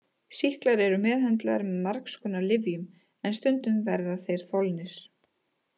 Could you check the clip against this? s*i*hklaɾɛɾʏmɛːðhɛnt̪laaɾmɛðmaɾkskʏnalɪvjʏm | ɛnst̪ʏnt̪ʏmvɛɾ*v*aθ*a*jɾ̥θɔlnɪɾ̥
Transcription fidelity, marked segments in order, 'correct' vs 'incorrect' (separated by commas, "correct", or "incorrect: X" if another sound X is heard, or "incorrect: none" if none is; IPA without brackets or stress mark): correct, incorrect: ð, incorrect: e